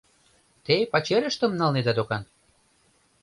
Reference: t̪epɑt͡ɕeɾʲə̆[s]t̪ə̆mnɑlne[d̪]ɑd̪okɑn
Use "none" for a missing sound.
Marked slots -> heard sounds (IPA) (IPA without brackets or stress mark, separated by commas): ʃ, d̪